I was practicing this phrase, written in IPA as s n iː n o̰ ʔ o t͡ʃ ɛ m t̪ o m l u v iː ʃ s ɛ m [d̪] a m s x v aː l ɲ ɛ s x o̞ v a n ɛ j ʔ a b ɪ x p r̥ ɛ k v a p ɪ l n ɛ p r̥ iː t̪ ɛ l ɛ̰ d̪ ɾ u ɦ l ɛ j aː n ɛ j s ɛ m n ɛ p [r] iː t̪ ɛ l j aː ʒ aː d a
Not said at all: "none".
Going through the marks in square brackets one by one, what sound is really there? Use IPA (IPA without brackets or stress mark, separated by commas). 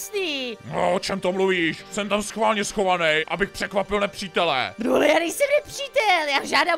t̪, r